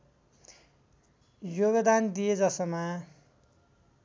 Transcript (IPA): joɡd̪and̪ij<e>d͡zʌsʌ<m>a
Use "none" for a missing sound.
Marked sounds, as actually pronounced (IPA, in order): e, m

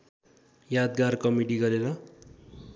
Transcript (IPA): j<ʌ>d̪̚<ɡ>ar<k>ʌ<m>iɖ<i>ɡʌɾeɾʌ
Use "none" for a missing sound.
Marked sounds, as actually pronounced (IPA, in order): a, ɡ, k, m, i

